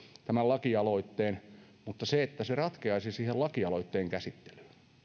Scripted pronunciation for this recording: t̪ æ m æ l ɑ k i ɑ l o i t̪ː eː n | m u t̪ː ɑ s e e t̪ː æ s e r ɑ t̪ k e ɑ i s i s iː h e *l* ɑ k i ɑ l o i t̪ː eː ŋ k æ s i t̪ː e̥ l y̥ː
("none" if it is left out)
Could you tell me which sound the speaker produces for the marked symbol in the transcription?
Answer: l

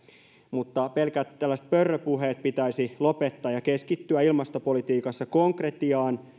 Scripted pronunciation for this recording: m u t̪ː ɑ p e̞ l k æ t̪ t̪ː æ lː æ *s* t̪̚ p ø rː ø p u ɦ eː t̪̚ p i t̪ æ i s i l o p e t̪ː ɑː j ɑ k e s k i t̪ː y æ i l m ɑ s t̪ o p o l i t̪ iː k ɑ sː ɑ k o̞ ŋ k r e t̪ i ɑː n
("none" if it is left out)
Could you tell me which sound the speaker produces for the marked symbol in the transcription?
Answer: s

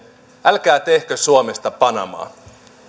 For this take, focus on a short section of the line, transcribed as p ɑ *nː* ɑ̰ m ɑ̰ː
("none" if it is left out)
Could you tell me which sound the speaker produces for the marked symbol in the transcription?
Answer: n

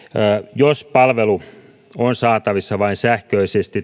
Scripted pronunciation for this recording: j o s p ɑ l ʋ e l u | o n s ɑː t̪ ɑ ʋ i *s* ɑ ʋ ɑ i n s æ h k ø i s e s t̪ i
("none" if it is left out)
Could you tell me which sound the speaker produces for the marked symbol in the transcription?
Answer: sː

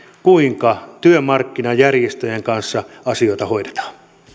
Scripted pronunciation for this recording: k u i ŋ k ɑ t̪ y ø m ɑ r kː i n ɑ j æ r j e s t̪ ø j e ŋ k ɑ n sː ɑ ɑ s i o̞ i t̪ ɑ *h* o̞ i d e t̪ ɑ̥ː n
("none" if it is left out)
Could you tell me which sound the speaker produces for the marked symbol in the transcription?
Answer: h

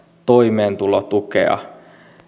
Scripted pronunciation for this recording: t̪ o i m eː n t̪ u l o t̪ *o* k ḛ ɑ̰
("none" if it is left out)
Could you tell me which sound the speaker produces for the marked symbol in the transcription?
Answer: u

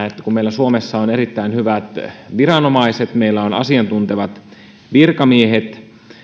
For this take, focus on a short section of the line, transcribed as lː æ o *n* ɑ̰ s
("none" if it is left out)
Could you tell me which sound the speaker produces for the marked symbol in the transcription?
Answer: n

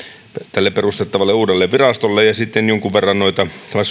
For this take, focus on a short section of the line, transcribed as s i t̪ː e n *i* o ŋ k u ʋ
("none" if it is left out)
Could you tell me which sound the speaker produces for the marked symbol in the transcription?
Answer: j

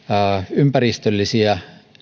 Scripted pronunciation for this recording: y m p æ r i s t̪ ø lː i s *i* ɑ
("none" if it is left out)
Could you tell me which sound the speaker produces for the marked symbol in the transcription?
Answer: i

